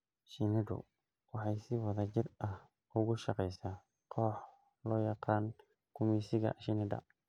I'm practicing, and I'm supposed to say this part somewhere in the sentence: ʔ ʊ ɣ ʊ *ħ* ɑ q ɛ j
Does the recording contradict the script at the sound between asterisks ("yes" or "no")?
yes